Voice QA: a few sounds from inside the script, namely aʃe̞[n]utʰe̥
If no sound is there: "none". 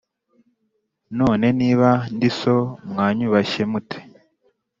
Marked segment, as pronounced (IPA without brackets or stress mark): m